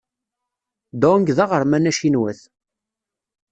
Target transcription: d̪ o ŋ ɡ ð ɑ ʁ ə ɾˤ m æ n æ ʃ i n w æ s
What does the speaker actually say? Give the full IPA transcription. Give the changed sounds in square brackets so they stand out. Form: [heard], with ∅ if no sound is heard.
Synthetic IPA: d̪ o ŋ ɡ ð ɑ ʁ ə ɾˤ m æ n æ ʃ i n w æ [θ]